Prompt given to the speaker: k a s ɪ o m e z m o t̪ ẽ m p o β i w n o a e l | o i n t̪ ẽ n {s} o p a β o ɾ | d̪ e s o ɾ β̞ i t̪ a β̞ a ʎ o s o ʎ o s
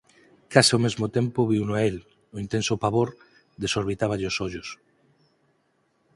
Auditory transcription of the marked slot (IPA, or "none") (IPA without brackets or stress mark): s